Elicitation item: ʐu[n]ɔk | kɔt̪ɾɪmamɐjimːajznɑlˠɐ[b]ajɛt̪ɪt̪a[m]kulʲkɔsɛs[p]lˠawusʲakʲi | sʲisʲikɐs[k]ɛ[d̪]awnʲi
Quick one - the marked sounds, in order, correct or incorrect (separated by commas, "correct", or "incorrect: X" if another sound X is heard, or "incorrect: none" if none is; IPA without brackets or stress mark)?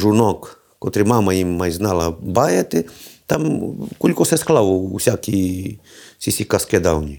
correct, correct, correct, incorrect: k, correct, correct